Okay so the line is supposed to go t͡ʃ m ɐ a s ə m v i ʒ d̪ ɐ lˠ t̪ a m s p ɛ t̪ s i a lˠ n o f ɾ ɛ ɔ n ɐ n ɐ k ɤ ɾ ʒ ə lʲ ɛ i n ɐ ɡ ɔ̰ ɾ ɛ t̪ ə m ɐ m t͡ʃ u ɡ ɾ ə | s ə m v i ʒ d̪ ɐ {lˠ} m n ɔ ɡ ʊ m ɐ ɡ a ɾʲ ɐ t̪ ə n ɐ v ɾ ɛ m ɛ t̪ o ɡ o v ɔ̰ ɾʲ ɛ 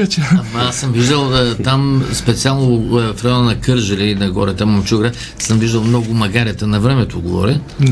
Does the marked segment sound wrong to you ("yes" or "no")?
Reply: no